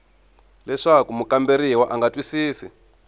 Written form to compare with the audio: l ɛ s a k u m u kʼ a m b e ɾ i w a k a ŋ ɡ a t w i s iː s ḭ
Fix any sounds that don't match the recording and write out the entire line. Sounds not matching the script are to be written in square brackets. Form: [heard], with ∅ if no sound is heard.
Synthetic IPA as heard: l ɛ [ʂ] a k u m u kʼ a m b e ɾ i w a [ʔ] a ŋ ɡ a t w i s iː s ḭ